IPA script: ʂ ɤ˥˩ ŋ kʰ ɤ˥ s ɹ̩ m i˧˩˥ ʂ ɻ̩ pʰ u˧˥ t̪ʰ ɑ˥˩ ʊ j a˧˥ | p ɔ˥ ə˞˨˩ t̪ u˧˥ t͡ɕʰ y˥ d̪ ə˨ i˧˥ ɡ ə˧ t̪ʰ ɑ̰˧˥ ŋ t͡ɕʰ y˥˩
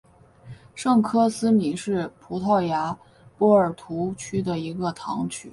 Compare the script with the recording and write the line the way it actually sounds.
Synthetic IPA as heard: ʂ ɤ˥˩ ŋ kʰ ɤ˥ s ɹ̩ m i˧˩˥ ʂ ɻ̩ pʰ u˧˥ t̪ʰ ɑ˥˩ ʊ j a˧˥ | p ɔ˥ ə˞˨˩ t̪ʰ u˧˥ t͡ɕʰ y˥ d̪ ə˨ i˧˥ ɡ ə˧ t̪ʰ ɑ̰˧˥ ŋ t͡ɕʰ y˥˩

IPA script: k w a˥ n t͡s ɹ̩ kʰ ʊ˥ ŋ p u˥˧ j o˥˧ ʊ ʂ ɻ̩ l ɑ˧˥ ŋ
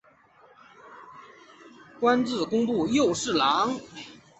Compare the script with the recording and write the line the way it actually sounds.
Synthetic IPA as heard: k w a˥ n t͡s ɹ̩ k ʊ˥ ŋ p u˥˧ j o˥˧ ʊ ʂ ɻ̩ l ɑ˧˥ ŋ

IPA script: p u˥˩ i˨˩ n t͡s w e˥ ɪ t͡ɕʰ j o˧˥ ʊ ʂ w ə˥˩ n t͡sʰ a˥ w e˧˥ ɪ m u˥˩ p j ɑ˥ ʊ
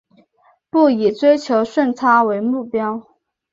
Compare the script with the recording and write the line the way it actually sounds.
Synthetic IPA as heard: p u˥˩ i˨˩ t͡s w e˥ ɪ t͡ɕʰ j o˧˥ ʊ ʂ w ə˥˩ n t͡sʰ a˥ w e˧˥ ɪ m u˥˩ p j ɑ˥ ʊ

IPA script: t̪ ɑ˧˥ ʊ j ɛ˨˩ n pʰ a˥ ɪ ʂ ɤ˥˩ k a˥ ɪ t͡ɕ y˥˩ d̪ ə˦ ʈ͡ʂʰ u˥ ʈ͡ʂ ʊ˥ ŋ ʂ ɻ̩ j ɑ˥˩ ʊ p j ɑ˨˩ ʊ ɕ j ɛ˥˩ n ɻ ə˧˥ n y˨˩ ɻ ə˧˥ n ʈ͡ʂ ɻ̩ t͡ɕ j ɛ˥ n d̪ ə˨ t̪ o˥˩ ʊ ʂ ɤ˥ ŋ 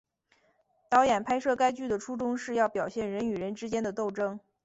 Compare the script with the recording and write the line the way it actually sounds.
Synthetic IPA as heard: t̪ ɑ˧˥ ʊ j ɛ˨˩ n pʰ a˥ ɪ ʂ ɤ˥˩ k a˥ ɪ t͡ɕ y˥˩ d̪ ə˩ ʈ͡ʂʰ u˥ ʈ͡ʂ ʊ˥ ŋ ʂ ɻ̩ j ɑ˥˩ ʊ p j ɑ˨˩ ʊ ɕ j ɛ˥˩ n ɻ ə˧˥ n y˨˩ ɻ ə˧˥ n ʈ͡ʂ ɻ̩ t͡ɕ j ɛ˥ n d̪ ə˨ t̪ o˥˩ ʊ ʈ͡ʂ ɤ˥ ŋ

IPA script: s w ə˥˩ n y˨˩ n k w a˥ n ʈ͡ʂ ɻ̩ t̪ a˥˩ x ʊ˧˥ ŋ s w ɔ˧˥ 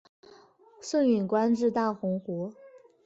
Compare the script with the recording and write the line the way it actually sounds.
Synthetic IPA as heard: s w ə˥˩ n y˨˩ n k w a˥ n ʈ͡ʂ ɻ̩ t̪ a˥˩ x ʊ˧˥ ŋ x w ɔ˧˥

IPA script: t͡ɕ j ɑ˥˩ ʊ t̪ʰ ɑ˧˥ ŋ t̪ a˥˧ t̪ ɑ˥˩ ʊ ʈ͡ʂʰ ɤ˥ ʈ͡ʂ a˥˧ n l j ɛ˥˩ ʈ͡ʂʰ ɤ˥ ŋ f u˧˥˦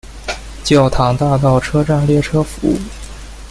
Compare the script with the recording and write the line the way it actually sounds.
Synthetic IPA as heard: t͡ɕ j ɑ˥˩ ʊ t̪ʰ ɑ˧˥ ŋ t̪ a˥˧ t̪ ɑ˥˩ ʊ ʈ͡ʂʰ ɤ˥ ʈ͡ʂ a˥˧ n l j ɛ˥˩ ʈ͡ʂʰ ɤ˥ f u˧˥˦

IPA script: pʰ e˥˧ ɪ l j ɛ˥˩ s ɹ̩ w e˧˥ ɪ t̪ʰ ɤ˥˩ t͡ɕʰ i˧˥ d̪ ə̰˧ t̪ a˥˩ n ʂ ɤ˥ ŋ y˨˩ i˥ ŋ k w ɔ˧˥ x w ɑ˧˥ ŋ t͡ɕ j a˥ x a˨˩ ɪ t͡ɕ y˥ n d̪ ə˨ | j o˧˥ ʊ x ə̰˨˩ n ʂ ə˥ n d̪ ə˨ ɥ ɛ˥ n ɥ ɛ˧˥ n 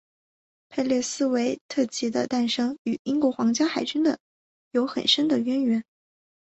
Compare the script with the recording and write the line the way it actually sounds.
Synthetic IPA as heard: pʰ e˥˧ ɪ l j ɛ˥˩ s ɹ̩ w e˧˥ ɪ t̪ʰ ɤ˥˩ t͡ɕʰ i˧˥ d̪ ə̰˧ t̪ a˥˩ n ʂ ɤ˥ ŋ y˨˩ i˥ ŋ k w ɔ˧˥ x w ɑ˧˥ ŋ t͡ɕ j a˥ x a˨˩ ɪ t͡ɕ y˥ n d̪ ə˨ | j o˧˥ ʊ x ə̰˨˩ n ʂ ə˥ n d̪ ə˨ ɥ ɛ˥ n ɥ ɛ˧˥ n

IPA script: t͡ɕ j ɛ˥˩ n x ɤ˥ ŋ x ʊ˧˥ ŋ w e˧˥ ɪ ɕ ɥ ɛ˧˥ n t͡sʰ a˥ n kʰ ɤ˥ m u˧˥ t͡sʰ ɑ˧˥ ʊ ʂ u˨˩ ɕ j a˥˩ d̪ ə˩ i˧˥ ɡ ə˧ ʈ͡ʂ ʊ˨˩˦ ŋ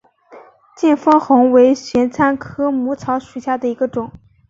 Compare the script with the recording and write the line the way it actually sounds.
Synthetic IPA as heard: t͡ɕ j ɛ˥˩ n f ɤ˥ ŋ x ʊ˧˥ ŋ w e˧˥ ɪ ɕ ɥ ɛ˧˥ n t͡sʰ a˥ n kʰ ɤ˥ m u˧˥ t͡sʰ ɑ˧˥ ʊ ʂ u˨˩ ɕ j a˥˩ d̪ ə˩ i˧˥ ɡ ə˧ ʈ͡ʂ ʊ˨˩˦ ŋ

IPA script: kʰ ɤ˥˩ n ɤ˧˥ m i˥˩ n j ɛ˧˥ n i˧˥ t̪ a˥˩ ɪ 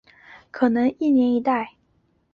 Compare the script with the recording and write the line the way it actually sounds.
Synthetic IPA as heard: kʰ ɤ˨˩ n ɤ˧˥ ŋ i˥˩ n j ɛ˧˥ n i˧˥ t̪ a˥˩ ɪ

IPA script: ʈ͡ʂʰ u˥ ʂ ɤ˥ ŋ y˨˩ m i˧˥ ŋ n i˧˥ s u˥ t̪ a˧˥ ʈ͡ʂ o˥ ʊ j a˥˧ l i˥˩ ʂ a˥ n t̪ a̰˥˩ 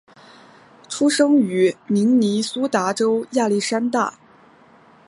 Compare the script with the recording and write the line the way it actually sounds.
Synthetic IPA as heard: ʈ͡ʂʰ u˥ ʂ ɤ˥ ŋ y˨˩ m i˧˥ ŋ n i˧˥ s u˥ t̪ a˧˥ ʈ͡ʂ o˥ ʊ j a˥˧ l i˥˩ ʂ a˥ n t̪ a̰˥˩

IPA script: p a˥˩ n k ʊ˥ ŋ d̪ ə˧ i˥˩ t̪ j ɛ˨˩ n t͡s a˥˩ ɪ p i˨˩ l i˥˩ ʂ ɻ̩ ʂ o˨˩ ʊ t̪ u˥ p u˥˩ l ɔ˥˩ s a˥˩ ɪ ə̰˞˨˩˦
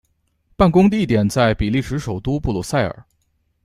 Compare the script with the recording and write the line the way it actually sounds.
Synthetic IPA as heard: p a˥˩ n k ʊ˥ ŋ d̪ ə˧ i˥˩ t̪ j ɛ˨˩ n t͡s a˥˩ ɪ p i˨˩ l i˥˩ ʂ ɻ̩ ʂ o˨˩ ʊ t̪ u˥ p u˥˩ l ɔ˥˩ s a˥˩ ɪ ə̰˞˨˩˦

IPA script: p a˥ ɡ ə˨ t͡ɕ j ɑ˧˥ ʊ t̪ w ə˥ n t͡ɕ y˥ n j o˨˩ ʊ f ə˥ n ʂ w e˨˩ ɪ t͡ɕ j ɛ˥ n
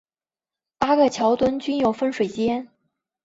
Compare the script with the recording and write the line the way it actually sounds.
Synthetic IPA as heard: p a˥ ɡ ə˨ t͡ɕʰ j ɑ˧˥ ʊ t̪ w ə˥ n t͡ɕ y˥ n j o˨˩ ʊ f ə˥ n ʂ w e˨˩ ɪ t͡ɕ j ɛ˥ n

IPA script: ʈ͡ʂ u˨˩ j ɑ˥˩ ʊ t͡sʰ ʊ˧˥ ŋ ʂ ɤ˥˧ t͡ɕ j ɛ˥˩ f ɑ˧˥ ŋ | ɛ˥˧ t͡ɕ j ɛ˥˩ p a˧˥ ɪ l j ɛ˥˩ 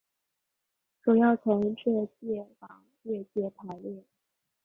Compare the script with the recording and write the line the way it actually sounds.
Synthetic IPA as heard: ʈ͡ʂ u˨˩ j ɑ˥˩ ʊ t͡sʰ ʊ˧˥ ŋ ʈ͡ʂ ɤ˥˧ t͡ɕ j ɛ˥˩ f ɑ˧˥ ŋ | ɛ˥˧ t͡ɕ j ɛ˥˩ pʰ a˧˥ ɪ l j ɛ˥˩

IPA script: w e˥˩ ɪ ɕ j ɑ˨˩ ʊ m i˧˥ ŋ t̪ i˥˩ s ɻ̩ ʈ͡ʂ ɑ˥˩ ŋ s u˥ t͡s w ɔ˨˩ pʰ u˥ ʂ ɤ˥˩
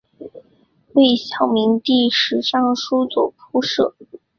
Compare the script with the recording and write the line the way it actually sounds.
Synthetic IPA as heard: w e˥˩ ɪ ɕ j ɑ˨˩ ʊ m i˧˥ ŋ t̪ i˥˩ ʂ ɻ̩ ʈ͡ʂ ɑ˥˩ ŋ ʂ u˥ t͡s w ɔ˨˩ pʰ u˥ ʂ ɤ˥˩

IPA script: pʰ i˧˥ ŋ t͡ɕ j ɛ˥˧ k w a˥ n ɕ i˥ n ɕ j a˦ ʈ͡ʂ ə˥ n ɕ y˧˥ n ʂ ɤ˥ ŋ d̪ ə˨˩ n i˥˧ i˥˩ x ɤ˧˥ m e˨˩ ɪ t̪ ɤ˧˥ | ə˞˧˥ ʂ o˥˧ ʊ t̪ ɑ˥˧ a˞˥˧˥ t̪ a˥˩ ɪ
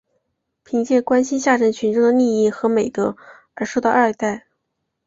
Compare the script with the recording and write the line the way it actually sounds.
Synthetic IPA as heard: pʰ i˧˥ ŋ t͡ɕ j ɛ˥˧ k w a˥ n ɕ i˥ n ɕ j a˥˩ ʈ͡ʂ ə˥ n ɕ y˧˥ n ʈ͡ʂ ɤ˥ ŋ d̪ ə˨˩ n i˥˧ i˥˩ x ɤ˧˥ m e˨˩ ɪ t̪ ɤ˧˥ | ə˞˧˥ ʂ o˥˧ ʊ t̪ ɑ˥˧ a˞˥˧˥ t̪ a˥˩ ɪ

